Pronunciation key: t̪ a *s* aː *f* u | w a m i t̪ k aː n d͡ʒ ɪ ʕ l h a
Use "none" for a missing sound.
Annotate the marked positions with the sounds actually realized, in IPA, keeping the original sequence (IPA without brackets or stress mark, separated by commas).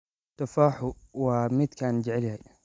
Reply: f, ħ